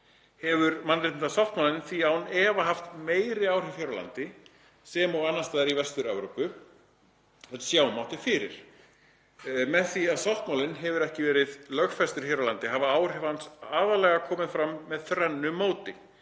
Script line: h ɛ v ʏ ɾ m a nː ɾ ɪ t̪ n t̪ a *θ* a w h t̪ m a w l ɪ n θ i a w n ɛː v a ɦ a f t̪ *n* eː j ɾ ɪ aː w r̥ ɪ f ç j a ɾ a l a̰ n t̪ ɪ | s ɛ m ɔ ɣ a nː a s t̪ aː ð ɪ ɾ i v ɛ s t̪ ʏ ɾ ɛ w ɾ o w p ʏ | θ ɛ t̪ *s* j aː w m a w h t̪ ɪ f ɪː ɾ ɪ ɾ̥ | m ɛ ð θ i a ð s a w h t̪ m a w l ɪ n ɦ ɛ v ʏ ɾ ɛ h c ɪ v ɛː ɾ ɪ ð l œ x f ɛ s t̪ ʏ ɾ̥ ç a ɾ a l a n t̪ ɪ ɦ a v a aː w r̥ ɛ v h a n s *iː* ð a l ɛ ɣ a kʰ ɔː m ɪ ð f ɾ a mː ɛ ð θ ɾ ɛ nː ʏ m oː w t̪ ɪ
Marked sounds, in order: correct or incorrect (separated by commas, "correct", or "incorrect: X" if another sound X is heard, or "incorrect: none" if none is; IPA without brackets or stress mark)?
incorrect: s, incorrect: m, correct, incorrect: aː